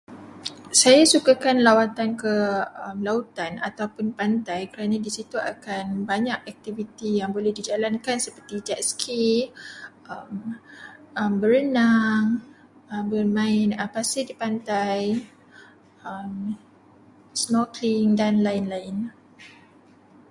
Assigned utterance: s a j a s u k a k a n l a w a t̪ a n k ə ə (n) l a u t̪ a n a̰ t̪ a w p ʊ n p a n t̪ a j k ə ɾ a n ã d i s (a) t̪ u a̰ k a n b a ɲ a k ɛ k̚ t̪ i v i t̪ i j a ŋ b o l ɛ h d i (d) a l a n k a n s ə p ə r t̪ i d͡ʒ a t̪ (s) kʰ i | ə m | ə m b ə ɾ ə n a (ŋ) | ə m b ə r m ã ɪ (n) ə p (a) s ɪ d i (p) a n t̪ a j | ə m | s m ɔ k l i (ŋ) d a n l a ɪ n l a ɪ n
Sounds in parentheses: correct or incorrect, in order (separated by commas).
incorrect, incorrect, incorrect, correct, correct, correct, correct, correct, correct